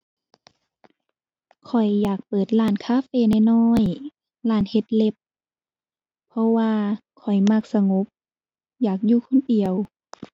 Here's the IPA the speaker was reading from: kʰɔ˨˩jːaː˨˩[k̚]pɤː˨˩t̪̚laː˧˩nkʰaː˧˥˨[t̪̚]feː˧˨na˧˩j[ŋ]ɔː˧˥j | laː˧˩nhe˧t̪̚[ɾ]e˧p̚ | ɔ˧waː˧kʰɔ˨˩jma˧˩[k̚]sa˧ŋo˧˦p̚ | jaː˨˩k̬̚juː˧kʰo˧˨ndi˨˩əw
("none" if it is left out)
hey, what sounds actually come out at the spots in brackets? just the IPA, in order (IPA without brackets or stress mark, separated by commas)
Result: k̚, none, n, l, k̚